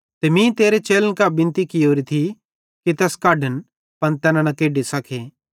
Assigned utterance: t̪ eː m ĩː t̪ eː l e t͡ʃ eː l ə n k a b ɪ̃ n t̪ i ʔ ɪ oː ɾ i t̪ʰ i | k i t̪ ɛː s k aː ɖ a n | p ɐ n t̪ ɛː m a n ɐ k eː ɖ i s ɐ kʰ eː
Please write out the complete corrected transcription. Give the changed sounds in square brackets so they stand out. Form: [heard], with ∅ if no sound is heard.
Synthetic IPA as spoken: t̪ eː m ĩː t̪ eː [ɾ] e t͡ʃ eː l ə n k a b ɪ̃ n t̪ i [k] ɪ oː ɾ i t̪ʰ i | k i t̪ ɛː s k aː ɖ [ə] n | p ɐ n t̪ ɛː [n] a n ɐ k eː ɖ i s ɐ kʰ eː